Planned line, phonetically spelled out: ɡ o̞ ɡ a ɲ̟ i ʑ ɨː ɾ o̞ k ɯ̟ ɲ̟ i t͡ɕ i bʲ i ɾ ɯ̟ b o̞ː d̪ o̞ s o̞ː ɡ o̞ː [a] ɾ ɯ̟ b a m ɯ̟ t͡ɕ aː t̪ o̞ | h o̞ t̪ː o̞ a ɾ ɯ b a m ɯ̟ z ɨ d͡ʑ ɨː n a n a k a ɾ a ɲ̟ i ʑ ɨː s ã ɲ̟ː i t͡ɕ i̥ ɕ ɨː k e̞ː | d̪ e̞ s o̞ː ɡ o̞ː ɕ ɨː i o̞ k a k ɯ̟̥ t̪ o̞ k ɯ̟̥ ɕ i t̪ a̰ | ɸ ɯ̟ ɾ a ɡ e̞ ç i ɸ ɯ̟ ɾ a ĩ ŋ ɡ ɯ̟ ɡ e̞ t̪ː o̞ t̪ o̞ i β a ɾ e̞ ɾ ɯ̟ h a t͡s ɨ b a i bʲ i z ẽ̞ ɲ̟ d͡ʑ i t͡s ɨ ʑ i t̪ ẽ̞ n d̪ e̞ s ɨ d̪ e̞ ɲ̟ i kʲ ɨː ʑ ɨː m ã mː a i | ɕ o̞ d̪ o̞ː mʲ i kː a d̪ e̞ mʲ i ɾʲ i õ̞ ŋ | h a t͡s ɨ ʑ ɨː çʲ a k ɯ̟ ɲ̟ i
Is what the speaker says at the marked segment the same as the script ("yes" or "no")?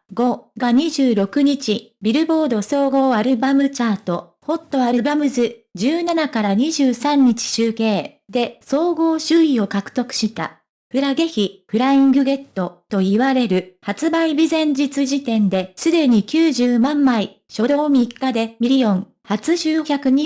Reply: yes